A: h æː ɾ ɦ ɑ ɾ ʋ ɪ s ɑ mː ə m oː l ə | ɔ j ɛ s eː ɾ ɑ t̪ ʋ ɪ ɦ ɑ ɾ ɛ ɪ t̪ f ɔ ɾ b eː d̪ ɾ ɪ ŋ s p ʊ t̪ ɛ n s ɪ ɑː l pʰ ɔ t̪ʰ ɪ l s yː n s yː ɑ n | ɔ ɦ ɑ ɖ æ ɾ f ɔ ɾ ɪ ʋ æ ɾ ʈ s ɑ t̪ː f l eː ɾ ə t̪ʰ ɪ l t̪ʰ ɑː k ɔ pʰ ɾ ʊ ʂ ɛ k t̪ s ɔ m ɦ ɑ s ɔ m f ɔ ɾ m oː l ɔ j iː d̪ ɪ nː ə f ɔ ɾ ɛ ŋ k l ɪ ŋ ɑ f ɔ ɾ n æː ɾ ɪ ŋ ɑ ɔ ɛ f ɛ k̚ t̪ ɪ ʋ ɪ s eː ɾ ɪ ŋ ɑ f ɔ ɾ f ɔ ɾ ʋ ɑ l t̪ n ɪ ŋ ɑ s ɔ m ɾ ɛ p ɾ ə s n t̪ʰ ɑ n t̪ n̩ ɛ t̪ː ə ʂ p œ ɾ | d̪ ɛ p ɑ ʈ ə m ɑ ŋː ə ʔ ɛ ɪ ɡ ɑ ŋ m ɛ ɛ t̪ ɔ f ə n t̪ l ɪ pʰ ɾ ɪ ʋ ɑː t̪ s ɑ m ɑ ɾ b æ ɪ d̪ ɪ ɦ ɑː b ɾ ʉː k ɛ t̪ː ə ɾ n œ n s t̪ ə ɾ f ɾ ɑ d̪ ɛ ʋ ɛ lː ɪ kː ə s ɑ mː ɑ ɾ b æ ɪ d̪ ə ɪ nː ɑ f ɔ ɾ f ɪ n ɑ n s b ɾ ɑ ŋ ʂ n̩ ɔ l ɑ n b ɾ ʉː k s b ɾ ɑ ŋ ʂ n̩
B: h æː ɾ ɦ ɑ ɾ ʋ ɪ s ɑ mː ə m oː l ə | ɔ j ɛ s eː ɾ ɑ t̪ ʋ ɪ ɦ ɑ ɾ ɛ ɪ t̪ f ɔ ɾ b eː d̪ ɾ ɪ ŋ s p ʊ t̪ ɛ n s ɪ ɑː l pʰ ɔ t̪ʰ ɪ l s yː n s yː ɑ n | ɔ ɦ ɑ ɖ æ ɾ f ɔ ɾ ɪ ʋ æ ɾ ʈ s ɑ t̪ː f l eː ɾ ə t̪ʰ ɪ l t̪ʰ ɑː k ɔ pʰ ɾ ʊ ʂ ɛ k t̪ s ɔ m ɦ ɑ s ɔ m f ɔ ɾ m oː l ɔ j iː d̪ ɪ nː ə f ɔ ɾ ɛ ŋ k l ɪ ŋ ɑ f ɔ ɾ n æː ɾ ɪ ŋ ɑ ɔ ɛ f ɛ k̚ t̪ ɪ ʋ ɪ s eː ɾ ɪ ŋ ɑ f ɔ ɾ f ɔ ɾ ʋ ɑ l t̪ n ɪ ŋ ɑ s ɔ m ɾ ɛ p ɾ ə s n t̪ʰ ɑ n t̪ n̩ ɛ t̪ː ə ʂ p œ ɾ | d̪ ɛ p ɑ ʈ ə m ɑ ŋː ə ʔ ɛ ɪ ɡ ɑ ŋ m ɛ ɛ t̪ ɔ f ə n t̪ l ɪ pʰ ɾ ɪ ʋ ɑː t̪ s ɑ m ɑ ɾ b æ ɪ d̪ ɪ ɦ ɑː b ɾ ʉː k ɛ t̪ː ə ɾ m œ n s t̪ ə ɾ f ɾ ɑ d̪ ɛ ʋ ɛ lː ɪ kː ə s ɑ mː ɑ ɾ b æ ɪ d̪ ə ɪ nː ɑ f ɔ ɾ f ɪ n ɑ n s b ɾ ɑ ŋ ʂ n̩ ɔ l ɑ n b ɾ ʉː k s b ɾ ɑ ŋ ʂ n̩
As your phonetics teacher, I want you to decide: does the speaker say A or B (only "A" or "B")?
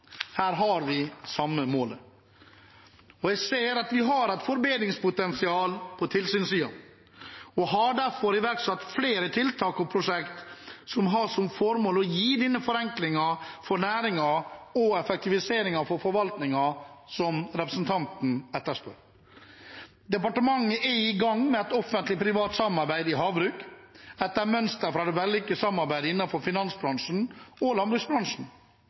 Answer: B